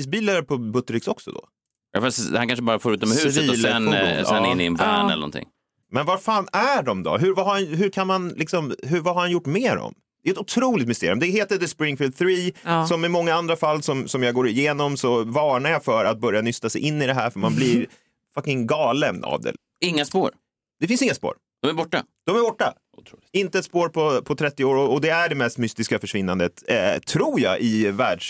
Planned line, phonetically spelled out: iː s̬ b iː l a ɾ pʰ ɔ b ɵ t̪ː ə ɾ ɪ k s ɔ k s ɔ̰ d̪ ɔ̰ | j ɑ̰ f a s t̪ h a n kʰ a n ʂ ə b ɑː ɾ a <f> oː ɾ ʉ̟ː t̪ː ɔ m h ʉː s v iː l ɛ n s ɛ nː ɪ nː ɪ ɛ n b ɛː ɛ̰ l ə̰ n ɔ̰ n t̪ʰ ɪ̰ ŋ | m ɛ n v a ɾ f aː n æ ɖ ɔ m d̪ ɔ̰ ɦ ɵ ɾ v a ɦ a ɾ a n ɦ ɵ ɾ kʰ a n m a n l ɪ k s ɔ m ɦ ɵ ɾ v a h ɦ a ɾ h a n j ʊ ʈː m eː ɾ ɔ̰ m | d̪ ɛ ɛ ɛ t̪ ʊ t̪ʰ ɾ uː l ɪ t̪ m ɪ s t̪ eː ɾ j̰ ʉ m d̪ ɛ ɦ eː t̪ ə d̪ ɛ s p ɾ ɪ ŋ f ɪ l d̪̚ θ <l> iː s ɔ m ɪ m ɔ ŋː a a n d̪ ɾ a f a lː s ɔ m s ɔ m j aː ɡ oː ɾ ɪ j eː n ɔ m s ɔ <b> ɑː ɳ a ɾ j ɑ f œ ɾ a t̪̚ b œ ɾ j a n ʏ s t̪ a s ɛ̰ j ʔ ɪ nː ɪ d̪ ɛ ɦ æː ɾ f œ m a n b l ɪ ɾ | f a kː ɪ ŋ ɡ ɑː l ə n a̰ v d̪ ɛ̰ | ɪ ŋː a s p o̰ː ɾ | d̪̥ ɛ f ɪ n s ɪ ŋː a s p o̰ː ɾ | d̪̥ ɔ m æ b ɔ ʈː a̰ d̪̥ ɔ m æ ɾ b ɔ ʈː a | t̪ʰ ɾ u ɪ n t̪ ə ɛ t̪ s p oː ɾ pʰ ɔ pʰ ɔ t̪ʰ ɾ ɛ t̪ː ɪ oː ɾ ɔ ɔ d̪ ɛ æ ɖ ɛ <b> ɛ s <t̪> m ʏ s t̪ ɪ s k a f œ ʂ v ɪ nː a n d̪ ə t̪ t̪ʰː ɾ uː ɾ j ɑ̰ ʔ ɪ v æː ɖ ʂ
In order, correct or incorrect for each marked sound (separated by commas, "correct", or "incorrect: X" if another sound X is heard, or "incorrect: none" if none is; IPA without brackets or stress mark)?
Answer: correct, incorrect: ɾ, incorrect: v, incorrect: m, correct